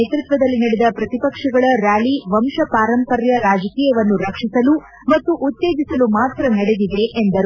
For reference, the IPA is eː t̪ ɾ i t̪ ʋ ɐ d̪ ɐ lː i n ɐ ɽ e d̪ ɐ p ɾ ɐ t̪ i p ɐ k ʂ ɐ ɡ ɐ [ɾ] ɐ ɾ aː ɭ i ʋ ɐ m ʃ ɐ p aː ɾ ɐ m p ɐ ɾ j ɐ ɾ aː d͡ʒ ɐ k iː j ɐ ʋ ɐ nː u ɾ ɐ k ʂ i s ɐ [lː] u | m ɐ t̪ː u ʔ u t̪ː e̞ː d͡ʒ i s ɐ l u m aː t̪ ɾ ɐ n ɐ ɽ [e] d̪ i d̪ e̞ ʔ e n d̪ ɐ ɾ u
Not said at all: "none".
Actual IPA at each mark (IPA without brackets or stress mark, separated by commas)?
ɭ, l, e